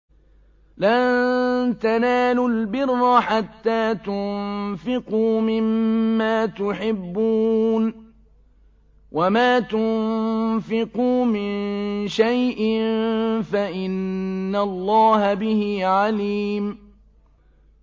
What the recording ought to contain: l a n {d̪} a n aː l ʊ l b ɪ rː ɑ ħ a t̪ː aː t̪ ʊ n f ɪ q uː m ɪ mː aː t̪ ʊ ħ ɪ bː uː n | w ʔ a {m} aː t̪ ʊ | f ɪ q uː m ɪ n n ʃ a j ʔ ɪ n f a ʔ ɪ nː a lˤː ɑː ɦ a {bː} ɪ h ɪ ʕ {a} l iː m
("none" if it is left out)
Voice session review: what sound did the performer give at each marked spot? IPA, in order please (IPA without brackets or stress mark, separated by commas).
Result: t̪, m, b, a